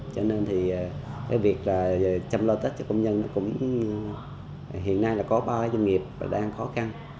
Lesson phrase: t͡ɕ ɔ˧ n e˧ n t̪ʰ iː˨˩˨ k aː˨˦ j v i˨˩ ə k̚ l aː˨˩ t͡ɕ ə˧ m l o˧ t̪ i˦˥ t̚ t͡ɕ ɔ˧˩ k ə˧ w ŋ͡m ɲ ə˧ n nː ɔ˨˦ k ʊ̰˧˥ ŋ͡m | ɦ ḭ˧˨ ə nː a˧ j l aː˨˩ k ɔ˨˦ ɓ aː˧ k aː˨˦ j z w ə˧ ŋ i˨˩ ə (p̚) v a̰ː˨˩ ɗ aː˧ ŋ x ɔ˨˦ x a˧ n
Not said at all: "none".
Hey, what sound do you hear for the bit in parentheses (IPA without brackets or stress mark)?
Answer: p̚